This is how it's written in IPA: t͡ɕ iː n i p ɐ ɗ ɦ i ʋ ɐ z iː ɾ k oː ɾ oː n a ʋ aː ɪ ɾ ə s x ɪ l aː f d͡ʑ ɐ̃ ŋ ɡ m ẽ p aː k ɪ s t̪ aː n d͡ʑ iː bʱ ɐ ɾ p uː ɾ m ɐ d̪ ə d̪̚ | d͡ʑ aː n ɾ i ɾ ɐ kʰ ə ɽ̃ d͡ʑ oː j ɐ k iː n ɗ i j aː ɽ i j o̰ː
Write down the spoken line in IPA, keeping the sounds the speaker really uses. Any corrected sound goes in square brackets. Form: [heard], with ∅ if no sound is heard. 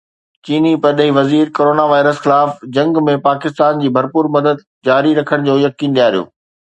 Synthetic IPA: t͡ɕ iː n i p ɐ ɗ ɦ i ʋ ɐ z iː ɾ k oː ɾ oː n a ʋ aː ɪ ɾ ə s x ɪ l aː f d͡ʑ ɐ̃ ŋ ɡ m ẽ p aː k ɪ s t̪ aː n d͡ʑ iː bʱ ɐ ɾ p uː ɾ m ɐ d̪ ə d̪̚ | d͡ʑ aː [∅] ɾ i ɾ ɐ kʰ ə ɽ̃ d͡ʑ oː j ɐ k iː n ɗ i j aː [ɾ] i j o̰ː